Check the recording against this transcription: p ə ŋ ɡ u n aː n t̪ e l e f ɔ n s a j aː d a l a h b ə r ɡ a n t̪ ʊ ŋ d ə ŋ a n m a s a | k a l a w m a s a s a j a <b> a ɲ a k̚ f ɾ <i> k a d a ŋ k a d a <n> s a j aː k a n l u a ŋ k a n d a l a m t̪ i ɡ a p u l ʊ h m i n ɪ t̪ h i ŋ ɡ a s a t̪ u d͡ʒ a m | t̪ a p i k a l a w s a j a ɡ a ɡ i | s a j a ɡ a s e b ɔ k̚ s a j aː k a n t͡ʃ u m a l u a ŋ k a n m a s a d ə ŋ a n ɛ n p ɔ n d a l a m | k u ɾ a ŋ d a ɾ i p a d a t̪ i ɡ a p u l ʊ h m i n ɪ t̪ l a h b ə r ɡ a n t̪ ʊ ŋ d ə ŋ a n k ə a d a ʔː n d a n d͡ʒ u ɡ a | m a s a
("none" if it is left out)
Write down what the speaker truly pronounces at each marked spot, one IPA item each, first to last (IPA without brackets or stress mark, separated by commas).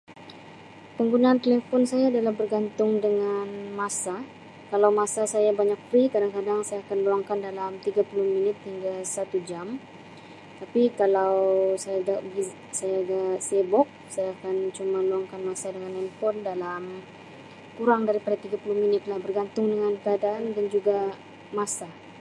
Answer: b, i, ŋ